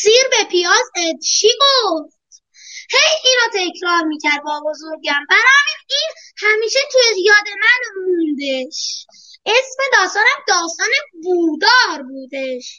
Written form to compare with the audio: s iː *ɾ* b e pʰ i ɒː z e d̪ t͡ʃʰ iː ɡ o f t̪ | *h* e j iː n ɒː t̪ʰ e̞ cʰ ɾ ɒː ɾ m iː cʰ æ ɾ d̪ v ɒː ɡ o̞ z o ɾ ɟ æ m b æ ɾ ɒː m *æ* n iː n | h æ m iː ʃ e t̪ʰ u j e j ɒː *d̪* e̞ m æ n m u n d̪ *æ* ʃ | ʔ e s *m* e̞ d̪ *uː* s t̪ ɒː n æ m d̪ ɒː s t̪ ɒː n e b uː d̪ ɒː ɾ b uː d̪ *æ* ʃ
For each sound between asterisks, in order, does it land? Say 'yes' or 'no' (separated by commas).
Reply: yes, yes, no, yes, no, yes, no, no